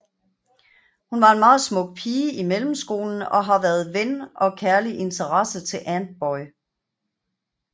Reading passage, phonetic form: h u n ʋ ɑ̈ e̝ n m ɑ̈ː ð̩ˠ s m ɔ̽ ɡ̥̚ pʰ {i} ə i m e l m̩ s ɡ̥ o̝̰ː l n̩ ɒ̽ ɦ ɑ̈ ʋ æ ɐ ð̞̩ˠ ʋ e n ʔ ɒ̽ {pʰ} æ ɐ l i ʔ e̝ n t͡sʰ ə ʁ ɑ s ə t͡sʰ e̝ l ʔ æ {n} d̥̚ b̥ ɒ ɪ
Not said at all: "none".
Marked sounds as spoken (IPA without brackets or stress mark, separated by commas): iː, kʰ, n